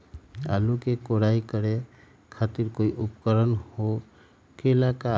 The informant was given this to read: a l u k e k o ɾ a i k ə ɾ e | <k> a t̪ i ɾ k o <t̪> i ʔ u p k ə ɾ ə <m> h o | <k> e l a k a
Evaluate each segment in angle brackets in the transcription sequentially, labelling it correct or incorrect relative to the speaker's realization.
incorrect: kʰ, incorrect: none, incorrect: n, correct

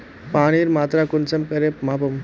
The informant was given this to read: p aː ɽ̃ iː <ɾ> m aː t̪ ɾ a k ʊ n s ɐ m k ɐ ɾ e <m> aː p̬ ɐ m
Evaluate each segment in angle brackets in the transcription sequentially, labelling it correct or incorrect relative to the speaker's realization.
correct, correct

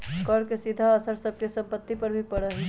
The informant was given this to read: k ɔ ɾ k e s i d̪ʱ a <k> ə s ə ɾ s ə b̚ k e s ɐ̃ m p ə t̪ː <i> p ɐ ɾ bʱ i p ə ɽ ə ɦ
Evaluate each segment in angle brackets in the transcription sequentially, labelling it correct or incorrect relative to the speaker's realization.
incorrect: none, correct

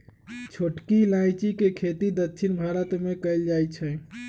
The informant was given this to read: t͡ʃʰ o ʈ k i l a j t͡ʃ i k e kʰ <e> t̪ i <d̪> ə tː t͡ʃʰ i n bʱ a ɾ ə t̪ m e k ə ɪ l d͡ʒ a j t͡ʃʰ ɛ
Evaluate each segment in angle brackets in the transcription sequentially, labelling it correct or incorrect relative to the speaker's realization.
correct, correct

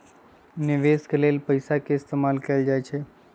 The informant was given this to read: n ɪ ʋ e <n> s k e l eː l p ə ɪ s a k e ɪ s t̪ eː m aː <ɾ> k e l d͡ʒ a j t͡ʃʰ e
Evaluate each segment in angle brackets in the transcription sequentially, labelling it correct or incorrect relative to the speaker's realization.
incorrect: none, incorrect: l

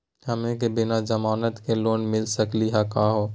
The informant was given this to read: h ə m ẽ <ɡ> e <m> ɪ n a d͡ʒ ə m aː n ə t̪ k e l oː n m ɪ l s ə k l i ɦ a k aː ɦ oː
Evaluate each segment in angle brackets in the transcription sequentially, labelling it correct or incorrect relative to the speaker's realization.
incorrect: k, incorrect: b

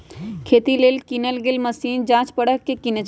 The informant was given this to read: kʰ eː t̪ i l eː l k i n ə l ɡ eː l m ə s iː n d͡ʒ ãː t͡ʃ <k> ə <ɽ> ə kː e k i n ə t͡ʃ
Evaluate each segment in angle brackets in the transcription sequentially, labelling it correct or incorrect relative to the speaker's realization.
incorrect: p, correct

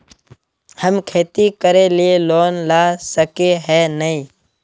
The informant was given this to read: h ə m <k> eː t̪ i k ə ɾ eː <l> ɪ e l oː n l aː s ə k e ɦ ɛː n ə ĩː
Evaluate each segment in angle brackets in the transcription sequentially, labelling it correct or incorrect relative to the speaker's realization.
incorrect: kʰ, correct

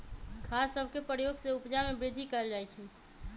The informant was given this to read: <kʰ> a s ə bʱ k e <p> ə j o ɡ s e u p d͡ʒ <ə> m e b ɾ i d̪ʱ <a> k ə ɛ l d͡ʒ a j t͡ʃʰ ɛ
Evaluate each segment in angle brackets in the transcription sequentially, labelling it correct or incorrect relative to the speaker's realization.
correct, correct, incorrect: a, incorrect: i

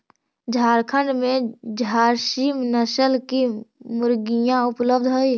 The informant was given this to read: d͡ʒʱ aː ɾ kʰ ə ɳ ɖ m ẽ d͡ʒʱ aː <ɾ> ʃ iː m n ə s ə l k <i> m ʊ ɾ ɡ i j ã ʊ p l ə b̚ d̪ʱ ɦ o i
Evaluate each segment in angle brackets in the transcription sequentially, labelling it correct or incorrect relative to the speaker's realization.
correct, correct

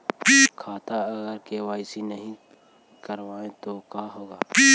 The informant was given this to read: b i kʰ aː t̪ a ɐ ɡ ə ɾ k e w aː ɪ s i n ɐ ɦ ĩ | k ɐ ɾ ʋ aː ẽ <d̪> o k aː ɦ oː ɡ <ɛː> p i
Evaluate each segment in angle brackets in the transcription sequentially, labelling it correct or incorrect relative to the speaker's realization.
incorrect: t̪, incorrect: aː

